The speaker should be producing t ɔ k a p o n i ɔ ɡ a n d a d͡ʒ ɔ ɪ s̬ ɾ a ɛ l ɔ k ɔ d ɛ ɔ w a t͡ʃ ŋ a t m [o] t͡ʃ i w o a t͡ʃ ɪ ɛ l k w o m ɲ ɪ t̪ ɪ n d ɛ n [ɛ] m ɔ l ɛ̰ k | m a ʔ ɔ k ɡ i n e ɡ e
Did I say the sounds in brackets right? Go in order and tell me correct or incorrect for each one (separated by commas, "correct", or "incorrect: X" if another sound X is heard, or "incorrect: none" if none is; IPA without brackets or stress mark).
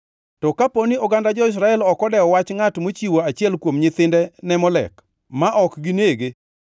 correct, correct